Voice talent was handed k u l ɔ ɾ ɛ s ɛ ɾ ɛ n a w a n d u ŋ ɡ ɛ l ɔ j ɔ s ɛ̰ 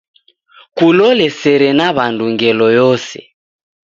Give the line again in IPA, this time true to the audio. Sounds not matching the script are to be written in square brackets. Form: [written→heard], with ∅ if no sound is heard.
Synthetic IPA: k u l ɔ [ɾ→l] ɛ s ɛ ɾ ɛ n a [w→β] a n d u ŋ ɡ ɛ l ɔ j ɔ s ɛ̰